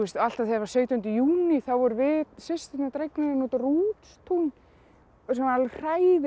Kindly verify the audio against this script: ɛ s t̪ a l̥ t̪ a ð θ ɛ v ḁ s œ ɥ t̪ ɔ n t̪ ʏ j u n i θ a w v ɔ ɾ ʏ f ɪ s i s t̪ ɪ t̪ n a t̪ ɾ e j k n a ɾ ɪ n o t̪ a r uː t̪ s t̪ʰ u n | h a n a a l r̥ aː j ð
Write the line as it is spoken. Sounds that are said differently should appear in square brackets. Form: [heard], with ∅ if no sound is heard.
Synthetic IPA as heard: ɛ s t̪ a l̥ t̪ a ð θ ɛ v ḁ s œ ɥ t̪ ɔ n t̪ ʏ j [uː] n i θ a w v ɔ ɾ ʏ [v] ɪ s [ɪ] s t̪ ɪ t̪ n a t̪ ɾ e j k n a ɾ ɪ n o t̪ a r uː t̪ s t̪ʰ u n | [s] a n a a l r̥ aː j ð